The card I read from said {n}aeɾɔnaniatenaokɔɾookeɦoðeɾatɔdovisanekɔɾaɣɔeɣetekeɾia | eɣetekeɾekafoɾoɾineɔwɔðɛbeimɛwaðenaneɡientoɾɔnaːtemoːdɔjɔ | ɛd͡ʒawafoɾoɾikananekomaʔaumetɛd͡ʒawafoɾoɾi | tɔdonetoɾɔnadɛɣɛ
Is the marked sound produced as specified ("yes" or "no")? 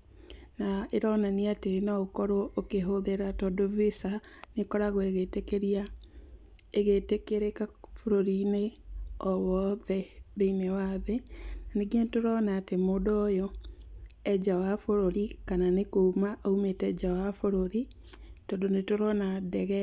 yes